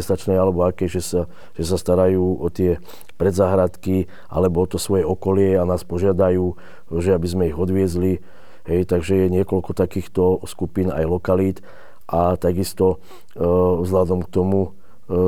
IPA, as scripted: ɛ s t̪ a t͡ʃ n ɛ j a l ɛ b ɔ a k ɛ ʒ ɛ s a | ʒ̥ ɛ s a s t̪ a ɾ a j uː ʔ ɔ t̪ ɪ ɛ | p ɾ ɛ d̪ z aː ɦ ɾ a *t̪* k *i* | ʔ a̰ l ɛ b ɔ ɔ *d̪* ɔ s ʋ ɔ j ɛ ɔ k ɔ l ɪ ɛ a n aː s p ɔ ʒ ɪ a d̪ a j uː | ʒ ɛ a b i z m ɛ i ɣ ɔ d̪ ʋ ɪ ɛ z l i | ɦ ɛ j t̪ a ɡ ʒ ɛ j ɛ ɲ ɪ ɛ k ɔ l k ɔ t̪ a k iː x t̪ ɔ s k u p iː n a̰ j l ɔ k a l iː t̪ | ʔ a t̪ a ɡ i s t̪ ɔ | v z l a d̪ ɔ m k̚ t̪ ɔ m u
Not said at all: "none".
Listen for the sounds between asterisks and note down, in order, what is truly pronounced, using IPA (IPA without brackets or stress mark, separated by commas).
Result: t̪, i, t̪